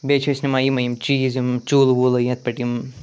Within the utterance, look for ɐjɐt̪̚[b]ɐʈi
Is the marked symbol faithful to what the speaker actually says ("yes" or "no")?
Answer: no